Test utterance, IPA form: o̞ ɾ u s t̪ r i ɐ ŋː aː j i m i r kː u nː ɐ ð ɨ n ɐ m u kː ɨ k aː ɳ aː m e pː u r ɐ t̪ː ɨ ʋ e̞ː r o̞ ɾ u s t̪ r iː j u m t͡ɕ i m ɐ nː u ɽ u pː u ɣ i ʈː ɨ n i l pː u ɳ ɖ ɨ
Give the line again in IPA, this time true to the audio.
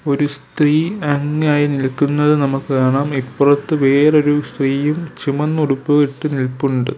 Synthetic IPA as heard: o̞ ɾ u s t̪ r iː ɐ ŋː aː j i n i l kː u nː ɐ ð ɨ n ɐ m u kː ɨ k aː ɳ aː m i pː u r ɐ t̪ː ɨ ʋ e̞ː r o̞ ɾ u s t̪ r iː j u m t͡ɕ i m ɐ nː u ɽ u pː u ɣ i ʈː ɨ n i l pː u ɳ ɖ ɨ